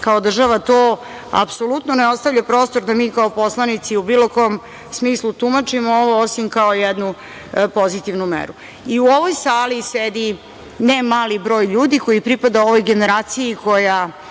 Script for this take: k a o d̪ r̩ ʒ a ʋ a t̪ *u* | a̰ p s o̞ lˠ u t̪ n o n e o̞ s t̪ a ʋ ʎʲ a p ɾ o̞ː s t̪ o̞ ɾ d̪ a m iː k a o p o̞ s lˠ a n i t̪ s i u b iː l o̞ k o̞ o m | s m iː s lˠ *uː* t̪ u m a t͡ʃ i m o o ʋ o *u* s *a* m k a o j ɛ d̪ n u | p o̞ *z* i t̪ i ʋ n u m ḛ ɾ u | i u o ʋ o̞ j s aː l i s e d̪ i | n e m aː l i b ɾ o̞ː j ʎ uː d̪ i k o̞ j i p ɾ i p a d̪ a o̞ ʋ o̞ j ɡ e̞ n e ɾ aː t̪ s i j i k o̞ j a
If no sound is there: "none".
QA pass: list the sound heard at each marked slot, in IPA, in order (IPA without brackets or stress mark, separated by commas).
o, u, o, i, z